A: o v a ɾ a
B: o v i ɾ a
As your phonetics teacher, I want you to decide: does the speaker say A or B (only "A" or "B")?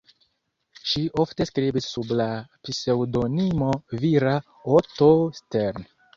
B